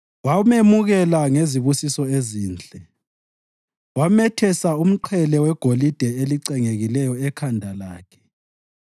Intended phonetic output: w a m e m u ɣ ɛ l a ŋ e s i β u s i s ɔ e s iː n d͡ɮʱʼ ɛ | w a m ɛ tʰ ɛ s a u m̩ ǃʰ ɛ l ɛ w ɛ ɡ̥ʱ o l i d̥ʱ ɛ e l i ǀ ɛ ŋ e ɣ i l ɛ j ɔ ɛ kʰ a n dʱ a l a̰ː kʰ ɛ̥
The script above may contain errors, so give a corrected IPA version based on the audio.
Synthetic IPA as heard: w a m e m u ɣ ɛ l a ŋ e z i β u s i s ɔ e z iː n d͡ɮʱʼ ɛ | w a m ɛ tʰ ɛ s a u m̩ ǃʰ ɛ l ɛ w ɛ ɡ̥ʱ o l i d̥ʱ ɛ e l i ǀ ɛ ŋ e ɣ i l ɛ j ɔ ɛ kʰ a n dʱ a l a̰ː kʰ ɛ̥